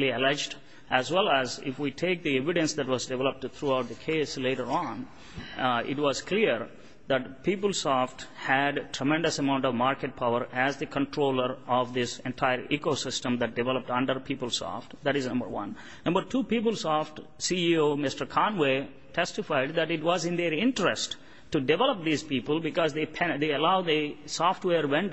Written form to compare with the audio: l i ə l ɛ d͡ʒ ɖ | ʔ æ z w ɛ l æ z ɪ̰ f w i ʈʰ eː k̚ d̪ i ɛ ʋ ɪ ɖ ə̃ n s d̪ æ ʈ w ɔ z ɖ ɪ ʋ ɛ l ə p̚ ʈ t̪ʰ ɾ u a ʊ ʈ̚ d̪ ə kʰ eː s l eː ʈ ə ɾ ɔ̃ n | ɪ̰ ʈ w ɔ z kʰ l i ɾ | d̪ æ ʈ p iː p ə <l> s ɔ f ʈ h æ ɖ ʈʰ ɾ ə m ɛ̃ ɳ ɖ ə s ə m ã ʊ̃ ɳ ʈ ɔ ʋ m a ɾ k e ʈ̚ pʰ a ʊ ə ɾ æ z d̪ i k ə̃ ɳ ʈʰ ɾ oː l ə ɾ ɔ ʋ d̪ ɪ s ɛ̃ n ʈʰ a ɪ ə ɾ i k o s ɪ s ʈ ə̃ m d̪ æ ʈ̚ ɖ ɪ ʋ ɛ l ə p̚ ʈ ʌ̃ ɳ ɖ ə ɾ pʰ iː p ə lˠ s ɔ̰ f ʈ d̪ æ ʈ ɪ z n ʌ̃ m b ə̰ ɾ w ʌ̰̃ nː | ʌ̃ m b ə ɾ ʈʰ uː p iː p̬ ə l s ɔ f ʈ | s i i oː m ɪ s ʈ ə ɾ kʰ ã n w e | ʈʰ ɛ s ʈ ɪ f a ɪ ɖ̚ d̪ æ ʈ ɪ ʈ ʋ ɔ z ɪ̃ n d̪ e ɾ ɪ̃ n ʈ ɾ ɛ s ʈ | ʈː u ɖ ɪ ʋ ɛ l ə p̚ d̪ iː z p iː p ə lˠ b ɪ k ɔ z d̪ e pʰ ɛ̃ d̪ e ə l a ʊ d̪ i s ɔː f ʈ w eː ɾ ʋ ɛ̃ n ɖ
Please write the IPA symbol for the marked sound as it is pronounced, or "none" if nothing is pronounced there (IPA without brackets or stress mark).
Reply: l